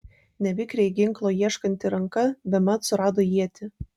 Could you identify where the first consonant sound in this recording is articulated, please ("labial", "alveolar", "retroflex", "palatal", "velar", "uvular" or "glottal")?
alveolar